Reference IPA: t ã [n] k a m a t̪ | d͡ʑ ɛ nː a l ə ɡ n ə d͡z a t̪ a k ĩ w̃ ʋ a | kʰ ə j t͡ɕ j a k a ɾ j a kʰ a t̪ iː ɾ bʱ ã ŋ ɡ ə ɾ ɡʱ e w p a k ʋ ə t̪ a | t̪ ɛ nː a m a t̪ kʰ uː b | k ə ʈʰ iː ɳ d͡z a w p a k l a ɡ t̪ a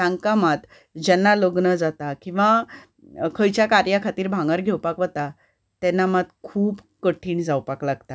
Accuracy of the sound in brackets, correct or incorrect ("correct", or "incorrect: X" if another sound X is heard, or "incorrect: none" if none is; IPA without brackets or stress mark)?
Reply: incorrect: ŋ